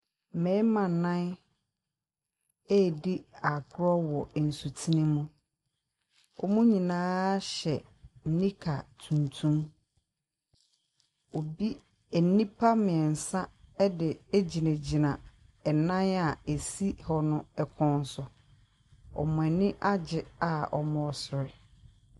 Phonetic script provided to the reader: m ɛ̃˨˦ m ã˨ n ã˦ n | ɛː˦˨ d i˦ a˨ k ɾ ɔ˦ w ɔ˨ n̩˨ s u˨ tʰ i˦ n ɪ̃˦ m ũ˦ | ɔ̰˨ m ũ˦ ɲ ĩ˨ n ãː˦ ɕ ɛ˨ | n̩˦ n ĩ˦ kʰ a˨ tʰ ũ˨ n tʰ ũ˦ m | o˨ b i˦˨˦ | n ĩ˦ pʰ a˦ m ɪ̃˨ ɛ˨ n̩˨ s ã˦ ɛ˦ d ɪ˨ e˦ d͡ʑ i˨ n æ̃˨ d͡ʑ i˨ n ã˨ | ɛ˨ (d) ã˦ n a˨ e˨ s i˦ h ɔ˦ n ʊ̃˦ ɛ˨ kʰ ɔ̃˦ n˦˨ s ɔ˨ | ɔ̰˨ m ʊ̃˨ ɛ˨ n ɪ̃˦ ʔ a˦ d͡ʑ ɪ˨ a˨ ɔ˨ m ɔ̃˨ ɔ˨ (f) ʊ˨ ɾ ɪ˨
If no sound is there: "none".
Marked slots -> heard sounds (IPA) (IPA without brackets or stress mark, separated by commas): n, s